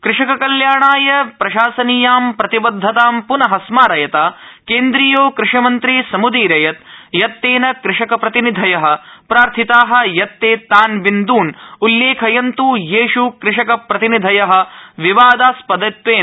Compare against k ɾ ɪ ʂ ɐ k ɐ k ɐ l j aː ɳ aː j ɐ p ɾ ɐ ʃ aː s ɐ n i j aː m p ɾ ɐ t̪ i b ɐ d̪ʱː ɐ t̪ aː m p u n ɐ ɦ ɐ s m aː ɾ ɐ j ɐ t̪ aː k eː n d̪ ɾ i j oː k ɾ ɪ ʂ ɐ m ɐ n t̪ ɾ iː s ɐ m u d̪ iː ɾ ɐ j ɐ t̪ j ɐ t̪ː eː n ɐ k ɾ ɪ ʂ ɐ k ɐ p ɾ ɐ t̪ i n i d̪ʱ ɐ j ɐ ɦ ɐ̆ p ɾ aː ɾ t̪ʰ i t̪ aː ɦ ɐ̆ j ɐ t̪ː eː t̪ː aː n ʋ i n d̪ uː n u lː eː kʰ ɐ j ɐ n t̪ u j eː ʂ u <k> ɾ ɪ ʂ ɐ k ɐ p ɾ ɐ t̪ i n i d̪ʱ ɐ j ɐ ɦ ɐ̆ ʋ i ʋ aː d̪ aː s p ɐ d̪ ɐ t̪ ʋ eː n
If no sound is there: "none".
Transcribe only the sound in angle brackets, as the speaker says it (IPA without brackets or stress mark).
k